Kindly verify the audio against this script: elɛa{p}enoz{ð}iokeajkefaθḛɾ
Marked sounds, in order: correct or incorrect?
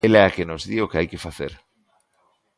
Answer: incorrect, correct

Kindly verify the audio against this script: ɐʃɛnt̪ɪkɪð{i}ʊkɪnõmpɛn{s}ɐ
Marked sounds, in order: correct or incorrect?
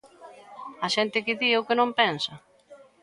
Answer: correct, correct

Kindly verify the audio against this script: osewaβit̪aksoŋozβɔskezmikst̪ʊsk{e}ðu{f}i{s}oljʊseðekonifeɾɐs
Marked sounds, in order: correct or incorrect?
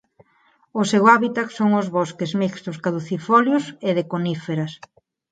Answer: incorrect, incorrect, incorrect

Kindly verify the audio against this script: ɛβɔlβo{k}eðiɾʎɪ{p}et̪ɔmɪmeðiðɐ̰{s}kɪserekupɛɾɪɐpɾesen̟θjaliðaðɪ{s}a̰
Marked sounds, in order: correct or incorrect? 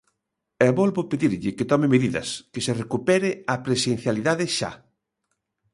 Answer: incorrect, incorrect, correct, incorrect

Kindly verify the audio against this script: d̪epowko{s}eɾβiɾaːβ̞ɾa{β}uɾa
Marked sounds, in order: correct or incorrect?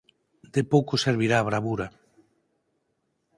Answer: correct, correct

